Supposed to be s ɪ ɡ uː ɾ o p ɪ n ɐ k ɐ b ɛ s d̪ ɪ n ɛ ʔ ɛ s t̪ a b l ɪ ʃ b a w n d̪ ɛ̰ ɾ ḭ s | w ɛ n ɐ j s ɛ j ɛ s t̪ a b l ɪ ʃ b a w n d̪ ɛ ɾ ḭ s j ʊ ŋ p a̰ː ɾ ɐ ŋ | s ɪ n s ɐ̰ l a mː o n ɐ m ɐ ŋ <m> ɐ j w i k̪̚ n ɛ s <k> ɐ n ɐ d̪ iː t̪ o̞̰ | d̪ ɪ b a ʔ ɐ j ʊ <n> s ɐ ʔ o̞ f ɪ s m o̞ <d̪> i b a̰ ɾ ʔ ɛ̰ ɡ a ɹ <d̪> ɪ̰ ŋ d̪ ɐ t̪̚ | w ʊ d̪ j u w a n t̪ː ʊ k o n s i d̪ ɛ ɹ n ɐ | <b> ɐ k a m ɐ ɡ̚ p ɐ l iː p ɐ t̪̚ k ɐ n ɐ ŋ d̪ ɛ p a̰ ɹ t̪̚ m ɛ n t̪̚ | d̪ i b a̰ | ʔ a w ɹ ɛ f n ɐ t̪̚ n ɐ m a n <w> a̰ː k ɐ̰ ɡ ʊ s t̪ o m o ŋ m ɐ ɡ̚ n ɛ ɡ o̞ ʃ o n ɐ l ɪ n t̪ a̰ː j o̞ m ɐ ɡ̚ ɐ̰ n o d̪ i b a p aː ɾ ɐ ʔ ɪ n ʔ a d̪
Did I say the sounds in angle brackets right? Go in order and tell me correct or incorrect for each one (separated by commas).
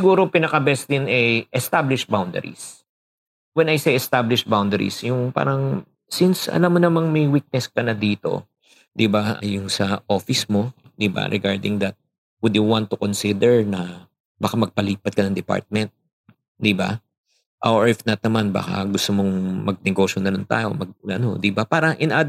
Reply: correct, correct, incorrect, correct, correct, correct, incorrect